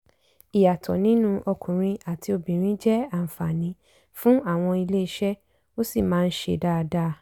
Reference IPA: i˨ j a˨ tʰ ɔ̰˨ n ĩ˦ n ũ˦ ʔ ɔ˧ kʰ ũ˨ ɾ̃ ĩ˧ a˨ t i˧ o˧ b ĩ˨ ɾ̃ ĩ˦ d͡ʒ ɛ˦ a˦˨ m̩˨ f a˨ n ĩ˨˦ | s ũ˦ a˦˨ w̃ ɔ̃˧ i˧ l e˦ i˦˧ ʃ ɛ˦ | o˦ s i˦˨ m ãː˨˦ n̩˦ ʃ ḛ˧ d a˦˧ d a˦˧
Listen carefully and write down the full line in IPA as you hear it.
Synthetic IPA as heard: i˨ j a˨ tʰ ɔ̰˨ n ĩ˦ n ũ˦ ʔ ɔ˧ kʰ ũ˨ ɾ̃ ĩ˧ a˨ t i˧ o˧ b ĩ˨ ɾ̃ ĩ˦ d͡ʒ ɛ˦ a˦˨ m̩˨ f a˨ n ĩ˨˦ | f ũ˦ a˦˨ w̃ ɔ̃˧ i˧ l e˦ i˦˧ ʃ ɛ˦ | o˦ s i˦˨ m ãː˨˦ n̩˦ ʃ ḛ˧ d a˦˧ d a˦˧

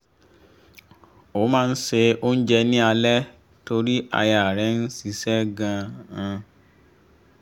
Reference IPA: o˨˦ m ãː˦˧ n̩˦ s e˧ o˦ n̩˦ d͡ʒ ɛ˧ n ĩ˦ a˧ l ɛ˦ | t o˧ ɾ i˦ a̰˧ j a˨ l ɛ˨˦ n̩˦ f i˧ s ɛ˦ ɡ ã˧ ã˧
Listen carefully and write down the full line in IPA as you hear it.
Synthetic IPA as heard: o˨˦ m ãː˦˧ n̩˦ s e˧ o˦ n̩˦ d͡ʒ ɛ˧ n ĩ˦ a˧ l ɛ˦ | t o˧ ɾ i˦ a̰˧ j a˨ ɾ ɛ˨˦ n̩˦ s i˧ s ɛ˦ ɡ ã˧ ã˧

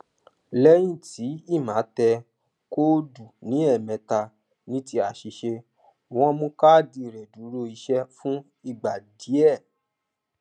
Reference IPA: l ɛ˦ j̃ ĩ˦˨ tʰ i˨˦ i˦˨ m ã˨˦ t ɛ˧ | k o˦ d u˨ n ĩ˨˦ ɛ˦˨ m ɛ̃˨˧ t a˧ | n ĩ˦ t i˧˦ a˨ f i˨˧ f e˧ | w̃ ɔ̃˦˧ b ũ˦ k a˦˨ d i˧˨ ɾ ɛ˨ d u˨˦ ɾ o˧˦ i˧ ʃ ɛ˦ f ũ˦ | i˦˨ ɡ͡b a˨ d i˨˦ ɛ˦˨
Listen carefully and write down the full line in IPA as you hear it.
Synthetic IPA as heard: l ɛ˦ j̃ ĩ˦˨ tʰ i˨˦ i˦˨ m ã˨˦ t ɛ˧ | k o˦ d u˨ n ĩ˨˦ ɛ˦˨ m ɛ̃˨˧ t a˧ | n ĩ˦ t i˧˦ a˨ ʃ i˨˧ ʃ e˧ | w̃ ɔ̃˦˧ m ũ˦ k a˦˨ d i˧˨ ɾ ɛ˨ d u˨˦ ɾ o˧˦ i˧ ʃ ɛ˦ f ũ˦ | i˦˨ ɡ͡b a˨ d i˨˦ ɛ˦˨

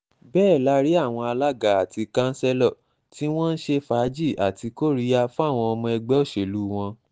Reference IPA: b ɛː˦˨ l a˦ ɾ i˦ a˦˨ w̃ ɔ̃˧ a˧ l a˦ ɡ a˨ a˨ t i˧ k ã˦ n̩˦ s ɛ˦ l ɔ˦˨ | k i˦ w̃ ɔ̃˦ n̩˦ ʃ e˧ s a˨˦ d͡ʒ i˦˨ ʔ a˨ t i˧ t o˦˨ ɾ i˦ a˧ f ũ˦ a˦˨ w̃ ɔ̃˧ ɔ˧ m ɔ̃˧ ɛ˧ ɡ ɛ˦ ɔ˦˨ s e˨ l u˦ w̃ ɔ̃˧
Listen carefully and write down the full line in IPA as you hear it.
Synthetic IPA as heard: b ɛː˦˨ l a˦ ɾ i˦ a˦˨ w̃ ɔ̃˧ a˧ l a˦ ɡ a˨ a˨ t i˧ k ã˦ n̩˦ s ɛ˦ l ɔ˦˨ | t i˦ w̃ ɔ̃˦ n̩˦ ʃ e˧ f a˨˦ d͡ʒ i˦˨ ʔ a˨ t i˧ k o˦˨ ɾ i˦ a˧ f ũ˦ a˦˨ w̃ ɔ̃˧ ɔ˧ m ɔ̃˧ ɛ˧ ɡ͡b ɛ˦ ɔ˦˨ ʃ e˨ l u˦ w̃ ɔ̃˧

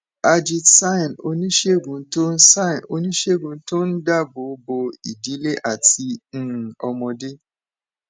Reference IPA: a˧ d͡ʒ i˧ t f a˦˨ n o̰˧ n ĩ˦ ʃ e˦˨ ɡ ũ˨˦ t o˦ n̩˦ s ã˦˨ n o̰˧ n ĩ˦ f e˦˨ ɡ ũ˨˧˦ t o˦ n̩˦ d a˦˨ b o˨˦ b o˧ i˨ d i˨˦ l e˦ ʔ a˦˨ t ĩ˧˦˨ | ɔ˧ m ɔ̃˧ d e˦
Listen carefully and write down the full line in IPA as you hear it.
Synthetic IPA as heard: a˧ d͡ʒ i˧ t s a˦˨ n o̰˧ n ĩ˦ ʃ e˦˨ ɡ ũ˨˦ t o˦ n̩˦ s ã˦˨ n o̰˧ n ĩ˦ ʃ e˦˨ ɡ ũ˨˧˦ t o˦ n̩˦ d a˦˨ b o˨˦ b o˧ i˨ d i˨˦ l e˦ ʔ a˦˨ t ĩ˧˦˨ | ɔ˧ m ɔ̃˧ d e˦

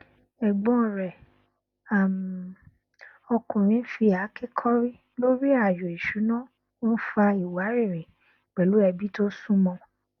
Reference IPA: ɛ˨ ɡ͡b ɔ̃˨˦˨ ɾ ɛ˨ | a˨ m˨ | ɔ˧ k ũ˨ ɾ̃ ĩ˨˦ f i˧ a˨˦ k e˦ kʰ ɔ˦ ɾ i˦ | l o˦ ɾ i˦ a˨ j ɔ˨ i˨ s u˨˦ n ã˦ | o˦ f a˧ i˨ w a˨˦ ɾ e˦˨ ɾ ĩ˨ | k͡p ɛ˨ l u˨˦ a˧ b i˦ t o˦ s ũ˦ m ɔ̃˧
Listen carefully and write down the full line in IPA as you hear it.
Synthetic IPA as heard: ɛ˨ ɡ͡b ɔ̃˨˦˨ ɾ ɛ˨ | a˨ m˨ | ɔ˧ k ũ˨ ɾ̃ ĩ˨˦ f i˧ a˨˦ k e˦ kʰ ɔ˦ ɾ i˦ | l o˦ ɾ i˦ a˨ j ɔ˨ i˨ ʃ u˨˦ n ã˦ | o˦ f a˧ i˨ w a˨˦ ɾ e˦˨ ɾ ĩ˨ | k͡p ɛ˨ l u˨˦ ɛ˧ b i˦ t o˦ s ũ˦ m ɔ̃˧

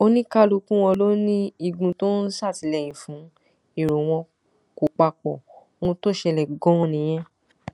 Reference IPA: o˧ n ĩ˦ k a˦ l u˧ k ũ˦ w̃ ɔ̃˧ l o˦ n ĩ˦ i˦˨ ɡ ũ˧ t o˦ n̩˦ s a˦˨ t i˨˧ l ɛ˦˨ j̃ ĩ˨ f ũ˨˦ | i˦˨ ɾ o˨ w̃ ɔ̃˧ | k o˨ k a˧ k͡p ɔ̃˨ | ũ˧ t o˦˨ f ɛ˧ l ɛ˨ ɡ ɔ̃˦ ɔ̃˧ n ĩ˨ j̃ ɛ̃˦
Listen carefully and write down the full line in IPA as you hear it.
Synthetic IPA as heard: o˧ n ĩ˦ k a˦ l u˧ k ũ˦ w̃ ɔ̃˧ l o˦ n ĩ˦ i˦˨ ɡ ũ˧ t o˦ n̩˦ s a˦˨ t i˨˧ l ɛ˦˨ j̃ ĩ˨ f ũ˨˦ | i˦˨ ɾ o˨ w̃ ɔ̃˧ | k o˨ k͡p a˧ k͡p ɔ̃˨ | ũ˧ t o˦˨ ʃ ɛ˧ l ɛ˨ ɡ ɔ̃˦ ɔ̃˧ n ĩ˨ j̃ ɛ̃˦

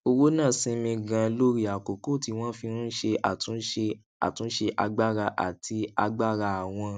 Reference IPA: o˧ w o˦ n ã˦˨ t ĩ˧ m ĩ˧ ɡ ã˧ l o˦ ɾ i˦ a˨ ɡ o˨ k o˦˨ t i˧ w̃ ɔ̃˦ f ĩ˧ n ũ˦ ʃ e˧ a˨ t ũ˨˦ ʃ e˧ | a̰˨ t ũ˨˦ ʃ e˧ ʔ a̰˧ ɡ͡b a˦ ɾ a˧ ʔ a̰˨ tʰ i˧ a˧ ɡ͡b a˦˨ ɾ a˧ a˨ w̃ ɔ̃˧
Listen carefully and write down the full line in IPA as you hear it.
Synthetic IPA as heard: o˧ w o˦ n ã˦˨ s ĩ˧ m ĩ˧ ɡ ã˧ l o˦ ɾ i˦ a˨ k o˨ k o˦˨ t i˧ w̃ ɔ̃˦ f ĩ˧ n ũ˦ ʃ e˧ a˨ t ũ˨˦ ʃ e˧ | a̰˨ t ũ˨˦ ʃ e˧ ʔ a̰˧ ɡ͡b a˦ ɾ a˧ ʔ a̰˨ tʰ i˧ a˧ ɡ͡b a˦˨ ɾ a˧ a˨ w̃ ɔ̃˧

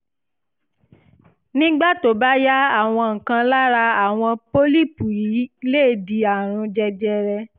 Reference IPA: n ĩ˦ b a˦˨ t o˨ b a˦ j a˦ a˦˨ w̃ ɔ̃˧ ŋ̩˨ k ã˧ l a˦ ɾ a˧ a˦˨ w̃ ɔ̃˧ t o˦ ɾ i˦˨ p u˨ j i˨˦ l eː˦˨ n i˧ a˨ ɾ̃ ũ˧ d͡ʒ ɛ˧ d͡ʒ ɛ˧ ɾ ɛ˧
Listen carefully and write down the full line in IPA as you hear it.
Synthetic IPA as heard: n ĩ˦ ɡ͡b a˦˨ t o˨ b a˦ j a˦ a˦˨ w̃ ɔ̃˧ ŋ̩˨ k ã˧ l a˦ ɾ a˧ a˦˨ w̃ ɔ̃˧ p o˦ l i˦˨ p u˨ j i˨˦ l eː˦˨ d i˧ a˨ ɾ̃ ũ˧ d͡ʒ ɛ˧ d͡ʒ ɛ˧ ɾ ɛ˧

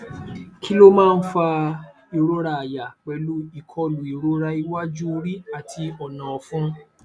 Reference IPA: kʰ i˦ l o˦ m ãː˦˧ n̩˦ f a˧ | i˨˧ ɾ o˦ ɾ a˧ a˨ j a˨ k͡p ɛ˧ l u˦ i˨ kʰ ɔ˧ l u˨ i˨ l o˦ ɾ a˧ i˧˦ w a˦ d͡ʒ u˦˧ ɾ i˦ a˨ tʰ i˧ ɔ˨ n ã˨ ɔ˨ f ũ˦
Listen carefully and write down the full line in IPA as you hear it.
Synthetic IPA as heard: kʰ i˦ l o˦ m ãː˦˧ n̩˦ f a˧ | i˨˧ ɾ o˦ ɾ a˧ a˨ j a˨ k͡p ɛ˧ l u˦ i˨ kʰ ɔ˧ l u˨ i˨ ɾ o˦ ɾ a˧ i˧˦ w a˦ d͡ʒ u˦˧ ɾ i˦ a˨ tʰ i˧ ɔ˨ n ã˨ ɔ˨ f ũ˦

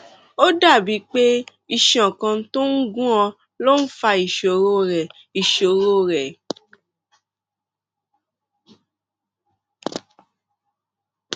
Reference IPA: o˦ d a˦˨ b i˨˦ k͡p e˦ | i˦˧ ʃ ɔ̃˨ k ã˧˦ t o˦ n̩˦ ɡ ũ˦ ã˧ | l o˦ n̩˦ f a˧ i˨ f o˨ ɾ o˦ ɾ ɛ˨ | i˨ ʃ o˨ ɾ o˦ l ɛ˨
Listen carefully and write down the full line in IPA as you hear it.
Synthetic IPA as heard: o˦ d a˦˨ b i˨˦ k͡p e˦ | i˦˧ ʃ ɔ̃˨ k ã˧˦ t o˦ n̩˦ ɡ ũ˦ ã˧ | l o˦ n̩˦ f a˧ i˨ ʃ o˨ ɾ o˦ ɾ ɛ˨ | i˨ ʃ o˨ ɾ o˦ ɾ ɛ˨

